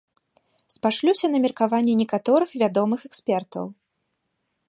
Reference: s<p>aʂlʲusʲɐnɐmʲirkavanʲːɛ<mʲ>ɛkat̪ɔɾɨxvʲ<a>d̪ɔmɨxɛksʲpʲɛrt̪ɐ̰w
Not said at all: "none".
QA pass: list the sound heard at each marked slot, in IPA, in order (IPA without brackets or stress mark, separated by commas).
p, nʲ, a